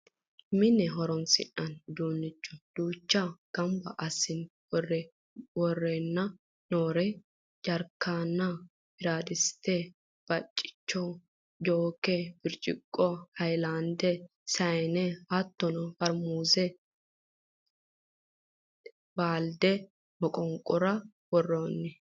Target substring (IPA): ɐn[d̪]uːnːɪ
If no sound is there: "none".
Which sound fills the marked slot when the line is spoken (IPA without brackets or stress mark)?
d̪